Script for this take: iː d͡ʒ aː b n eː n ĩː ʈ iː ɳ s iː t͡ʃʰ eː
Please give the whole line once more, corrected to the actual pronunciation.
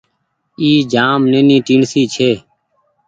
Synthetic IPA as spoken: iː d͡ʒ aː m n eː n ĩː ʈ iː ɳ s iː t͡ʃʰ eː